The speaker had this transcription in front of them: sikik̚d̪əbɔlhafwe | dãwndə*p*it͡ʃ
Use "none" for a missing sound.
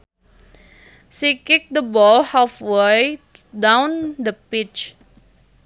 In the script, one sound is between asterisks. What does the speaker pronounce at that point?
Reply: p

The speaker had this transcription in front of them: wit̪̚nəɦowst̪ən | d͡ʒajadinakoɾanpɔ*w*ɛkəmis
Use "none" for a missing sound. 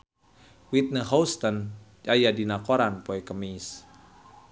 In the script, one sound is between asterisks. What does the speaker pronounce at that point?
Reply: none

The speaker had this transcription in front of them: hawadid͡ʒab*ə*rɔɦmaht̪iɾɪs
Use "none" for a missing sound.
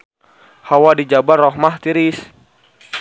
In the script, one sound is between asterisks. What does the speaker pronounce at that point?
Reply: a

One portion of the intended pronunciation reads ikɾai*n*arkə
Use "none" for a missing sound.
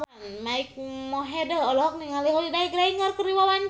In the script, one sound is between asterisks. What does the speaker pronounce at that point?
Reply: ŋ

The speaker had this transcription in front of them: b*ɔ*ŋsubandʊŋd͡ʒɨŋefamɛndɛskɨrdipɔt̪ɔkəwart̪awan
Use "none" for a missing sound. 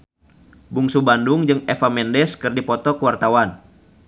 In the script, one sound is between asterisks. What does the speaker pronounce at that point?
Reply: u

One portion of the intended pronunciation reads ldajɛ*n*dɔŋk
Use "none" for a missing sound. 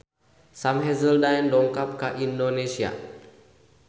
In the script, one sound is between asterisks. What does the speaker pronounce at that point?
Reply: n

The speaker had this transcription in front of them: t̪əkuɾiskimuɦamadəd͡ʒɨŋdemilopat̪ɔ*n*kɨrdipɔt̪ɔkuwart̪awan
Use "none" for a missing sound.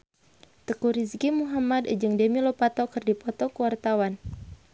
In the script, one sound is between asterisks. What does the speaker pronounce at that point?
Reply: none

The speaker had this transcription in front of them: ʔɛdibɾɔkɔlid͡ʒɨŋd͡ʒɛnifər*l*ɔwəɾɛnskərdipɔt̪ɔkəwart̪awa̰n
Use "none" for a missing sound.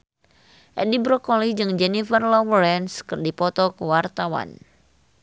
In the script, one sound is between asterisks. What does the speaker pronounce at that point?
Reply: l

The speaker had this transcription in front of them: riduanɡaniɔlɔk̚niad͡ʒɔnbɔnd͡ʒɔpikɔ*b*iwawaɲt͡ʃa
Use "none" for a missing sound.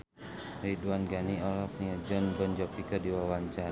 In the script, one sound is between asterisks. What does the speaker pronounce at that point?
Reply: d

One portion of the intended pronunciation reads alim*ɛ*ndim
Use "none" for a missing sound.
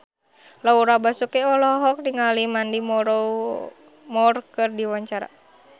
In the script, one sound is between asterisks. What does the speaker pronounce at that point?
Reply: a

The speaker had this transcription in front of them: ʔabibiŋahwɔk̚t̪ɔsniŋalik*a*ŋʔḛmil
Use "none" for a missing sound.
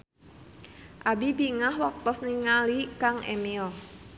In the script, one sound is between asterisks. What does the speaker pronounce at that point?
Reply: a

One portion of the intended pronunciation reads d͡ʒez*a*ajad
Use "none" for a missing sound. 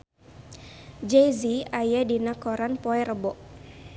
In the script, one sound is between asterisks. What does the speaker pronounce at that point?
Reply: i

